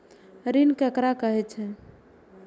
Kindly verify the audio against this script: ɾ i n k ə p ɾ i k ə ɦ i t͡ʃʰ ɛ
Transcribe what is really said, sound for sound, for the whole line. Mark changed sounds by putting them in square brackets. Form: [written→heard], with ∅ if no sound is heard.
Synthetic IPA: ɾ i n k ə [p→k] ɾ [i→a] k ə ɦ [i→ɛ] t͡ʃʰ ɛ

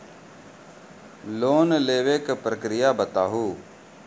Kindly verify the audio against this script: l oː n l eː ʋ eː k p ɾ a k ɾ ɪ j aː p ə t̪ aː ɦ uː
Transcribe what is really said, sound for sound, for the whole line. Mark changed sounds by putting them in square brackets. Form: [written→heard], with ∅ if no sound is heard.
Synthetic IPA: l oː n l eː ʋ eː k p ɾ [a→ə] k ɾ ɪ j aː [p→b] ə t̪ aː ɦ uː

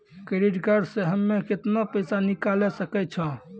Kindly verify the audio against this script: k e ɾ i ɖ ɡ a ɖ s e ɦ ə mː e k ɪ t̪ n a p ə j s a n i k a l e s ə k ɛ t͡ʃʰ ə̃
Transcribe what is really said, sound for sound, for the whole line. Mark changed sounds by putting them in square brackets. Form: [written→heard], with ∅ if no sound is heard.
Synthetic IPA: k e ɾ i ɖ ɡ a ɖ s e ɦ ə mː e k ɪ t̪ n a p ə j s a n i k a l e s ə k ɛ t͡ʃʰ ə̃

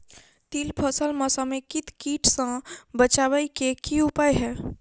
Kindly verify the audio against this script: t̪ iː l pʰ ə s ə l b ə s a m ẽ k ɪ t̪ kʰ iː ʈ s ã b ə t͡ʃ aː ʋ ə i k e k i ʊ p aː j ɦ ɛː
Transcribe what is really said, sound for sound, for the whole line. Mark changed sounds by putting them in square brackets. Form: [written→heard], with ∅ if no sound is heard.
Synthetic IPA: t̪ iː l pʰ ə s ə l [b→m] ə s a m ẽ k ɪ t̪ [kʰ→k] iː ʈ s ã b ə t͡ʃ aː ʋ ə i k e k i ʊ p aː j ɦ ɛː

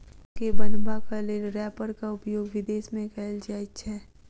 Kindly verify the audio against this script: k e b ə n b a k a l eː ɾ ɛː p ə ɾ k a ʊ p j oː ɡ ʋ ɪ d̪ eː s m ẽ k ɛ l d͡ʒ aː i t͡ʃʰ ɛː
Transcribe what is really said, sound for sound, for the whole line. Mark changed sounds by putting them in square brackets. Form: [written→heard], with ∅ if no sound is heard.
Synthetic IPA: k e b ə n b a k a l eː ɾ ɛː p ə ɾ k a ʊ p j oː ɡ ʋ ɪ d̪ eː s m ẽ k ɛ l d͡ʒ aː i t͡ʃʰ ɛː

